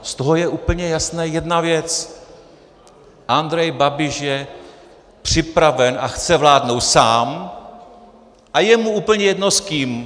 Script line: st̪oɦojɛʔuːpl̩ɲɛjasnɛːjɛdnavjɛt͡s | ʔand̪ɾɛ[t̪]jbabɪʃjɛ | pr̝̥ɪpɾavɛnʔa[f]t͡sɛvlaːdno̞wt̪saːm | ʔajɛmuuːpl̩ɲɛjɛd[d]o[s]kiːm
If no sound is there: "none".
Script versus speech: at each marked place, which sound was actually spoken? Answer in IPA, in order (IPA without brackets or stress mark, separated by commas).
none, x, n, s